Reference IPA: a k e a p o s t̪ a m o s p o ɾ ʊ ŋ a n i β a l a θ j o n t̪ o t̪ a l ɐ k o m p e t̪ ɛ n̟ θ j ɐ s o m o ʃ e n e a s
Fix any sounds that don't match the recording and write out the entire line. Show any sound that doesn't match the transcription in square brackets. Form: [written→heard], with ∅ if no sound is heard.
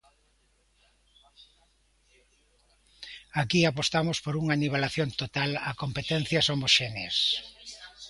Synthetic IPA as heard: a k [e→i] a p o s t̪ a m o s p o ɾ [ʊ→u] ŋ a n i β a l a θ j o n t̪ o t̪ a l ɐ k o m p e t̪ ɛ n̟ θ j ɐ s o m o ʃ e n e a s